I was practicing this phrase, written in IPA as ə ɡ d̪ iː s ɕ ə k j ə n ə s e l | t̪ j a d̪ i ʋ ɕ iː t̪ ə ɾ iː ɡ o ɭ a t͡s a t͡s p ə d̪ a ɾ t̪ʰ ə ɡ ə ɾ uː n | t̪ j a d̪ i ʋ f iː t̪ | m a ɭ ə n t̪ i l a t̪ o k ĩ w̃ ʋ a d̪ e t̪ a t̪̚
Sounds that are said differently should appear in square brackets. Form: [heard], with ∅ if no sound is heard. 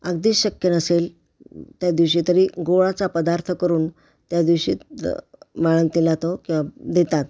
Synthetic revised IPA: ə ɡ d̪ iː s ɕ ə k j ə n ə s e l | t̪ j a d̪ i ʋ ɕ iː t̪ ə ɾ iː ɡ o ɭ a t͡s a [∅] p ə d̪ a ɾ t̪ʰ ə [k] ə ɾ uː n | t̪ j a d̪ i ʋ [ɕ] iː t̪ | m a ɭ ə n t̪ i l a t̪ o k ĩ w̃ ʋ a d̪ e t̪ a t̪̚

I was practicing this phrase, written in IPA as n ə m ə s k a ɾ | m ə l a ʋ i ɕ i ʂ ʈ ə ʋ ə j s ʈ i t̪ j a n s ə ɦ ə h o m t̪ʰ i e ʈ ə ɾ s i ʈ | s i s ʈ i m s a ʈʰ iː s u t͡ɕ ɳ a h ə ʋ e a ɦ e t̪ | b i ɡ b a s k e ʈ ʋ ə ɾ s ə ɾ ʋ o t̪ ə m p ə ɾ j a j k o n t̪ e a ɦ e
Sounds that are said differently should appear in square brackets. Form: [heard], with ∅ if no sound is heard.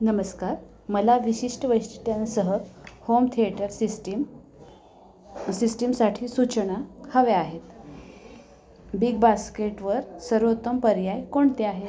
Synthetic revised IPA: n ə m ə s k a ɾ | m ə l a ʋ i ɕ i ʂ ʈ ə ʋ ə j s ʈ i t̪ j a n s ə ɦ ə h o m t̪ʰ i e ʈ ə ɾ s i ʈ | s i s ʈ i m s a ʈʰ iː s u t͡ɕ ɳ a h ə ʋ e a ɦ e t̪ | b i ɡ b a s k e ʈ ʋ ə ɾ s ə ɾ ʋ o t̪ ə m p ə ɾ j a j k o [ɳ] t̪ e a ɦ e

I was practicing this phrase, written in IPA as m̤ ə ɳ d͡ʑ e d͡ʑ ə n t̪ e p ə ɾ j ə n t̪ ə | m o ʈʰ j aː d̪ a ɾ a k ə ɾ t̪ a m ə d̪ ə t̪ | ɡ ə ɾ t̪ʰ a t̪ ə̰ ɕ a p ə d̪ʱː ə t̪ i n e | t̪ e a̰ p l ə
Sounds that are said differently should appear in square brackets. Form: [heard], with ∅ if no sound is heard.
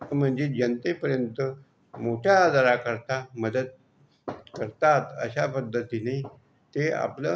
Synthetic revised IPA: m̤ ə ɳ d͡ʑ e d͡ʑ ə n t̪ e p ə ɾ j ə n t̪ ə | m o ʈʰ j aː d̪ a ɾ a k ə ɾ t̪ a m ə d̪ ə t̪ | [k] ə ɾ [t̪] a t̪ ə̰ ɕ a p ə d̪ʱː ə t̪ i n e | t̪ e a̰ p l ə

